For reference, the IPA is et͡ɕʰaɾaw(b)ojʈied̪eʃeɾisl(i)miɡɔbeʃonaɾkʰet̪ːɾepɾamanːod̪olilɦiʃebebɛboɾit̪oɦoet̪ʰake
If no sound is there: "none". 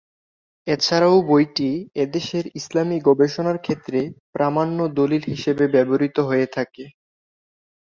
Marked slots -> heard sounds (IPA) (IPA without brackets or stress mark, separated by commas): b, a